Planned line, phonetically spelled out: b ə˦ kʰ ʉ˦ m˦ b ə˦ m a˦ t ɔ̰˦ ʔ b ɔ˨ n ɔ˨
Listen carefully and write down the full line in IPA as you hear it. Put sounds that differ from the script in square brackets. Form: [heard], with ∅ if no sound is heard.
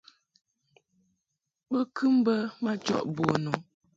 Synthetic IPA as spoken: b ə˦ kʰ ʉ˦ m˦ b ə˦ m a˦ [t͡ʃ] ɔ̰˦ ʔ b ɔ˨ n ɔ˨

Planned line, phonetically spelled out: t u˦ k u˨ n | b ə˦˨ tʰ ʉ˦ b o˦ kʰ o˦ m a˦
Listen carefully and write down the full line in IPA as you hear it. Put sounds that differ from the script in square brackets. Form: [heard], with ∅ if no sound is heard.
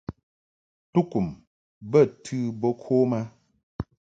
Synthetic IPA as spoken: t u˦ k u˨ [m] | b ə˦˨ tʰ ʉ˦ b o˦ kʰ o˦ m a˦

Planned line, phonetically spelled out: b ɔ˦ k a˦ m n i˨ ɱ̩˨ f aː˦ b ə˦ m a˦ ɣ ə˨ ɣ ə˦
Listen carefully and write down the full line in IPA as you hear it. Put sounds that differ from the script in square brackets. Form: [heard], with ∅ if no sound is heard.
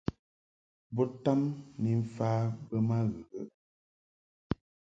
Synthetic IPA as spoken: b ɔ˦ [t] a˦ m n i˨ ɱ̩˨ f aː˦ b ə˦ m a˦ ɣ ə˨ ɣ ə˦

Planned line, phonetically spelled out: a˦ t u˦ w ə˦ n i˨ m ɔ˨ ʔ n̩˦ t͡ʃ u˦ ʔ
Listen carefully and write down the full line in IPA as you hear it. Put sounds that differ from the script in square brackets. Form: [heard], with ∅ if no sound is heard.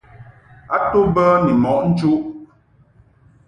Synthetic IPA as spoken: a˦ t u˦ [b] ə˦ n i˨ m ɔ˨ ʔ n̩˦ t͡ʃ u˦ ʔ

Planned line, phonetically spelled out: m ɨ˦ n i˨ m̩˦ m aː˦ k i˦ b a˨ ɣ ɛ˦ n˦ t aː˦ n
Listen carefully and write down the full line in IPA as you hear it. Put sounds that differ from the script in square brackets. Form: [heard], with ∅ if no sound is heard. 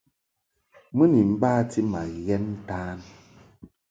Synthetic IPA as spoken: m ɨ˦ n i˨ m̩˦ [b] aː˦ [t] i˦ [m] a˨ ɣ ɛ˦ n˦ t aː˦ n

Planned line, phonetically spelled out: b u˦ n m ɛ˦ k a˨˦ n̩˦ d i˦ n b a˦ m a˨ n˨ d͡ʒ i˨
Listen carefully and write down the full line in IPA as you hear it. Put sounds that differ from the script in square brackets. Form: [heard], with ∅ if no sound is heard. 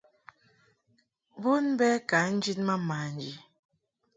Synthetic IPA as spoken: b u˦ n [b] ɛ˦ k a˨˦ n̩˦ [d͡ʒ] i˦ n [m] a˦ m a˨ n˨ d͡ʒ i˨

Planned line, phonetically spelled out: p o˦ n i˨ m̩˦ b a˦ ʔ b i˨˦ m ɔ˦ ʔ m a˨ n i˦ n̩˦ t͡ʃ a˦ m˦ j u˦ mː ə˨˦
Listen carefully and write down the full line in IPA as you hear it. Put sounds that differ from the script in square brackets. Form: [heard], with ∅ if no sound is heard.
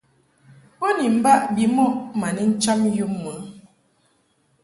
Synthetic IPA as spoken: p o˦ n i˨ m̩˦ b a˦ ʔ b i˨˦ m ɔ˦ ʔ m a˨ n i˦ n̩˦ t͡ʃ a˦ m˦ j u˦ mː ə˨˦

